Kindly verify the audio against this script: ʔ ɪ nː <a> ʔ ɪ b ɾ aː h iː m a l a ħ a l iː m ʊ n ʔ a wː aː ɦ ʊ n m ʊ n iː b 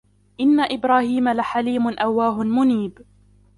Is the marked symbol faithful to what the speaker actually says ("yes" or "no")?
yes